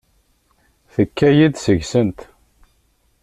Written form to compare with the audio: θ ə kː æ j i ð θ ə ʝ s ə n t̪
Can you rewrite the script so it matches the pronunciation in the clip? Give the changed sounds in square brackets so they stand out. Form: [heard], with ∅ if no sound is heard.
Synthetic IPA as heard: θ ə kː æ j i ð [s] ə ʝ s ə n t̪

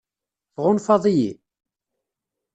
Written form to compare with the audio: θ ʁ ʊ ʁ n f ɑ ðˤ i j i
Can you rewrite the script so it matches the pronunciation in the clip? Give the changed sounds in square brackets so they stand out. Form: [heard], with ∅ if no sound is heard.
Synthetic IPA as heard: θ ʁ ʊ [∅] n f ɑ ðˤ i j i

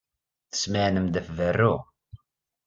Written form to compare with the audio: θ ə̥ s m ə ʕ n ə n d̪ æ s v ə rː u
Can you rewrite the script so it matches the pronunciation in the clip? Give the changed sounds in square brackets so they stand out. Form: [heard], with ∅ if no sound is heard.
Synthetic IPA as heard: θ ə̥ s m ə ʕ n ə [m] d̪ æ [f] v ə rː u

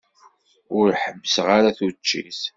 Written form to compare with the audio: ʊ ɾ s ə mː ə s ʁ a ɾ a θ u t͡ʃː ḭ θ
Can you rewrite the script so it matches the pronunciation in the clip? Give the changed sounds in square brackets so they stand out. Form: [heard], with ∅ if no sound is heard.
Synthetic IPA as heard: ʊ ɾ [ħ] ə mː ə s ʁ a ɾ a θ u t͡ʃː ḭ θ

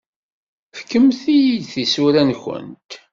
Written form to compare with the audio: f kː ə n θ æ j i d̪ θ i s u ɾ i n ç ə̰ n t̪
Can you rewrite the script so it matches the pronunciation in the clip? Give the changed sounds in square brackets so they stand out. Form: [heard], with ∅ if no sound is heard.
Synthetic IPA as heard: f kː ə [m] θ [i] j i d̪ θ i s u ɾ [æ] n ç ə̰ n t̪

